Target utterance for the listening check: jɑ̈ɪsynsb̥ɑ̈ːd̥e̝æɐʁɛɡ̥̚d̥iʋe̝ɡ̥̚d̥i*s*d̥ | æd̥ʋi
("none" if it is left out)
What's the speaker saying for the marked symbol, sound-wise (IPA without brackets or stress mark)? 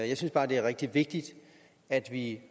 none